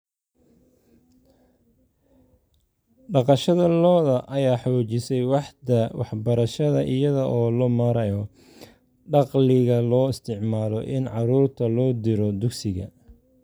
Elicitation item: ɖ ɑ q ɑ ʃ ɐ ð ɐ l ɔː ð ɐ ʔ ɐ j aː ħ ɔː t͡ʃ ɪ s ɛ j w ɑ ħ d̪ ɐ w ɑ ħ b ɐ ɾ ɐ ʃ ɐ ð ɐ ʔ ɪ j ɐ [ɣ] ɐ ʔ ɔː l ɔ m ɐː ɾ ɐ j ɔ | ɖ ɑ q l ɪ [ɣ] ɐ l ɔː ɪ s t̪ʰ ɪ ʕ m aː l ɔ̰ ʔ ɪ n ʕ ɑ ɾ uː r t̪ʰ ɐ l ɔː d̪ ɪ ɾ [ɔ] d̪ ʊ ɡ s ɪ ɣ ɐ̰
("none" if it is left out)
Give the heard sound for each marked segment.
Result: ð, ɣ, ɔ

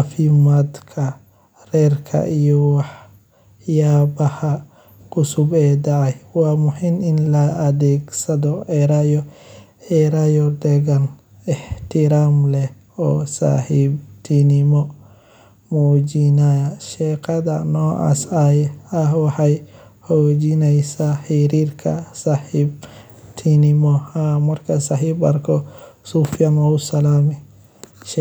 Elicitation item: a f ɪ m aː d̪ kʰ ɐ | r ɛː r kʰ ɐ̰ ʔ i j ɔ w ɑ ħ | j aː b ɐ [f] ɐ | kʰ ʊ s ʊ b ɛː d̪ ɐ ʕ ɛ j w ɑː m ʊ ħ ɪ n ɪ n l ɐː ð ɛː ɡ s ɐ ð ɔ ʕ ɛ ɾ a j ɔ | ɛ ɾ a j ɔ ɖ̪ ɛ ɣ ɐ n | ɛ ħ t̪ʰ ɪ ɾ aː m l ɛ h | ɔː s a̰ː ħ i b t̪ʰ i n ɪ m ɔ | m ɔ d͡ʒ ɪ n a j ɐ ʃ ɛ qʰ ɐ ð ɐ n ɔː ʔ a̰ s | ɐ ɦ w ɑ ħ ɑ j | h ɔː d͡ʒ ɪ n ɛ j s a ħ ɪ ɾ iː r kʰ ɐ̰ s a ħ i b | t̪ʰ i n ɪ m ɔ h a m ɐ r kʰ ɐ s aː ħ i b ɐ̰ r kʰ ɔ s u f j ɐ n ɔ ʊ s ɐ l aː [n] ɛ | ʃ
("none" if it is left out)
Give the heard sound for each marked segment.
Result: h, m

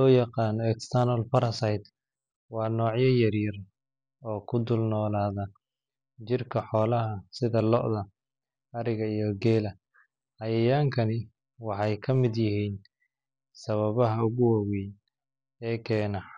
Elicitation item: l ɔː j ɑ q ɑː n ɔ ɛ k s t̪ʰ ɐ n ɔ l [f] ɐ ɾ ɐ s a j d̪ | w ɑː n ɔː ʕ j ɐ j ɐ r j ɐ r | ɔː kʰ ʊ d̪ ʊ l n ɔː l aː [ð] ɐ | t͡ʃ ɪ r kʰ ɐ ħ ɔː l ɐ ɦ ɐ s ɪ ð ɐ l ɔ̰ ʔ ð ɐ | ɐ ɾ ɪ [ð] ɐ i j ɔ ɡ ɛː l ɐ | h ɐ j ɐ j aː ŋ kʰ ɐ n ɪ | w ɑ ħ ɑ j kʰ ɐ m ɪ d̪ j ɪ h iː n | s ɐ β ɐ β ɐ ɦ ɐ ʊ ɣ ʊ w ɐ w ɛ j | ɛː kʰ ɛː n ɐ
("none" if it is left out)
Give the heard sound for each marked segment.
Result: f, ð, ɣ

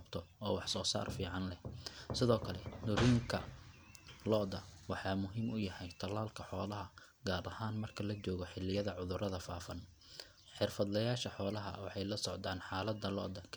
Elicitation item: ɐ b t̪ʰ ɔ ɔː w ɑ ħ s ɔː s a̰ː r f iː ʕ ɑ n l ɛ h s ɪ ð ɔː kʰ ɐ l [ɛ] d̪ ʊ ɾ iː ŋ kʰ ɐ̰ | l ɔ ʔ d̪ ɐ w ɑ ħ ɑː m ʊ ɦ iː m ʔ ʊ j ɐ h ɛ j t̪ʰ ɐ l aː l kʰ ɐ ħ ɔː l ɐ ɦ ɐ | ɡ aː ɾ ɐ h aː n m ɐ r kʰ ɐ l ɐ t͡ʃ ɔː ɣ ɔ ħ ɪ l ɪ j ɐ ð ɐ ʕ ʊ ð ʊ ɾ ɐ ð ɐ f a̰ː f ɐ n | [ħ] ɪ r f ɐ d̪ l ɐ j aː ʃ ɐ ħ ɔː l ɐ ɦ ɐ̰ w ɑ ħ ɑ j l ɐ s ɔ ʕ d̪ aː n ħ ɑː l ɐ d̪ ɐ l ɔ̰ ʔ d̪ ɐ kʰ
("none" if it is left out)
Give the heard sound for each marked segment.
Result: ɛ, ħ

